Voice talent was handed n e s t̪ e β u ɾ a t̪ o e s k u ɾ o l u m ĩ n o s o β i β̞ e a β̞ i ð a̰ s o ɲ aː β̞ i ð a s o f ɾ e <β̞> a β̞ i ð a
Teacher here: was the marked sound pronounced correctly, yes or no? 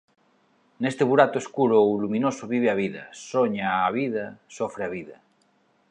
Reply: no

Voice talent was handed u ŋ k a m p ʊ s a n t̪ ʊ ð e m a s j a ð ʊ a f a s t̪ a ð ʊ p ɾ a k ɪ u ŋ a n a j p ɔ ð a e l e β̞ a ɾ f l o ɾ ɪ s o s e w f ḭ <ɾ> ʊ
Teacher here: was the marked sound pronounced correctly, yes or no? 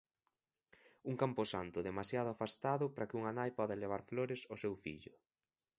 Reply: no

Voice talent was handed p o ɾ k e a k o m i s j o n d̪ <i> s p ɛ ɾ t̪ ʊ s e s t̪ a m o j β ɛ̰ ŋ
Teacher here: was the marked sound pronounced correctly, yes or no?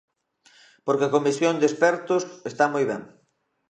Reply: no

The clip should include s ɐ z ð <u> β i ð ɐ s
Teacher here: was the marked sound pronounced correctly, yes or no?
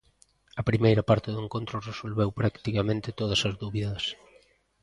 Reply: yes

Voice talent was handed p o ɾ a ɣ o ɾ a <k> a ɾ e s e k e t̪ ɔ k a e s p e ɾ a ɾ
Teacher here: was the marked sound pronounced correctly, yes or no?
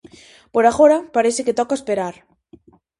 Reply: no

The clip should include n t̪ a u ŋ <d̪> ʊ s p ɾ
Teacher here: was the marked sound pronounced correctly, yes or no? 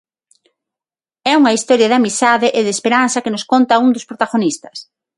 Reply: yes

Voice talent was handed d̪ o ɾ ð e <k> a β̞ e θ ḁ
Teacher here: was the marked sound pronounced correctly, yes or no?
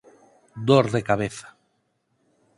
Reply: yes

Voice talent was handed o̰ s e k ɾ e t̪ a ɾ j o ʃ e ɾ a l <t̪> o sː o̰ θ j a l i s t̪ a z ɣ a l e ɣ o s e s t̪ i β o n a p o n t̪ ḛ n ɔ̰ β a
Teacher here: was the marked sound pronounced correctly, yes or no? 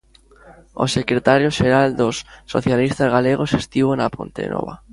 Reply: no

